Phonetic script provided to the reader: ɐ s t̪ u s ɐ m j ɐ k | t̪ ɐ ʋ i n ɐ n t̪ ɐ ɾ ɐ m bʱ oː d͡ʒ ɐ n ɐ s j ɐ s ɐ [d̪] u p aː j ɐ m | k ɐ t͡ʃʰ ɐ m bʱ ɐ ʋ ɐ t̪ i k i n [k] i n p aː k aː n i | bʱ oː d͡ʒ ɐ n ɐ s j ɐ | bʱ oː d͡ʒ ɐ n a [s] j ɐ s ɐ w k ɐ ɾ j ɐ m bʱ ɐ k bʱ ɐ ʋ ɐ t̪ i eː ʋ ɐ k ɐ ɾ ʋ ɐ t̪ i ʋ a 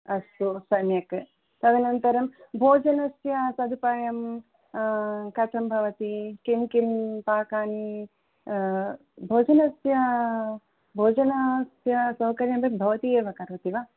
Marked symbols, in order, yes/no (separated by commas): yes, yes, yes